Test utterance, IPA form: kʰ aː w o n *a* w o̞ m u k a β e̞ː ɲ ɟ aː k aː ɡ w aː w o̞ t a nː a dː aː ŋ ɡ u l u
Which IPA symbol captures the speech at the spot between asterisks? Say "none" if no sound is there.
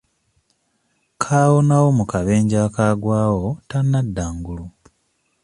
a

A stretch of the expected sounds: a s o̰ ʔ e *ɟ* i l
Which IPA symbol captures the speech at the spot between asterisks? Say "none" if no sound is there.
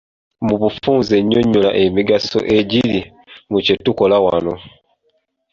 ɟ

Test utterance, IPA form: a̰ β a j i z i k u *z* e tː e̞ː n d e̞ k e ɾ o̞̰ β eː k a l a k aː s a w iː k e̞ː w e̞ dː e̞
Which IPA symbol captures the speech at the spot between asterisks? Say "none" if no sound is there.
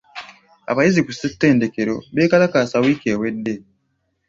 s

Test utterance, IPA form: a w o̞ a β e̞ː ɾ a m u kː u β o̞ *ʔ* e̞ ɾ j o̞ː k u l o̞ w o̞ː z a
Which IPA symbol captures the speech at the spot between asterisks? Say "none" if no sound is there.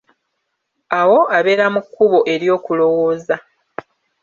ʔ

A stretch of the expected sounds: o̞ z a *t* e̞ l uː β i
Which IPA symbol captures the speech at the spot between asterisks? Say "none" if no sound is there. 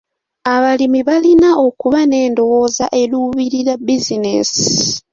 ʔ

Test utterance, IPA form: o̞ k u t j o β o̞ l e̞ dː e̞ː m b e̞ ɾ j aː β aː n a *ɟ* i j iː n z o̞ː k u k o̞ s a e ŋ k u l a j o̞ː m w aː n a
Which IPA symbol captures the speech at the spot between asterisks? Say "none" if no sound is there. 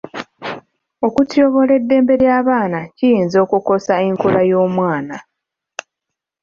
c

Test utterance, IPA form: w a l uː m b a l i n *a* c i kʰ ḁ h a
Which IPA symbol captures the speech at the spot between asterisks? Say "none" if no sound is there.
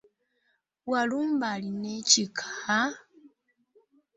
e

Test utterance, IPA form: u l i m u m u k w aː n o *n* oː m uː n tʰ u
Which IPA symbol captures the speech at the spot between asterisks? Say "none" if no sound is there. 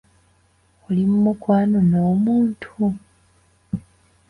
n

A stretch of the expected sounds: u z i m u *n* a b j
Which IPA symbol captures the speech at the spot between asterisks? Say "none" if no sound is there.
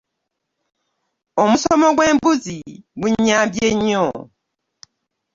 ɲ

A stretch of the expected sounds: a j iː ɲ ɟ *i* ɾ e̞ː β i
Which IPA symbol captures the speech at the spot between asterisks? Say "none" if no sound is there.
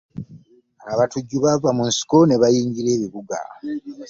i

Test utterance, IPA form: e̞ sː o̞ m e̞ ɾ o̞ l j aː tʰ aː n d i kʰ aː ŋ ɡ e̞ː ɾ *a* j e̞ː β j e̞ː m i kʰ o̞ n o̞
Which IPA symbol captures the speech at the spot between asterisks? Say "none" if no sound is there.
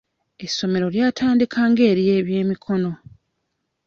i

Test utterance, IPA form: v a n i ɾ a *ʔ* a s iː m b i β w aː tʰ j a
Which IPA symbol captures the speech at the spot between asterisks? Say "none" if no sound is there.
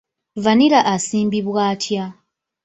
ʔ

